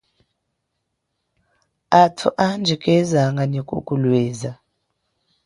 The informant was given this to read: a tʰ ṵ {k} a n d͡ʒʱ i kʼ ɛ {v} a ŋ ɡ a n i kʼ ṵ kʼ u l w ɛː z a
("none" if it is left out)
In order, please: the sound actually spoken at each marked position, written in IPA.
ʔ, z

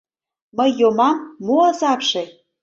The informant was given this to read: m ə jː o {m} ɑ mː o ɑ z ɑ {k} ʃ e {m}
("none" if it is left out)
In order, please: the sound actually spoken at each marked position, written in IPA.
m, p, none

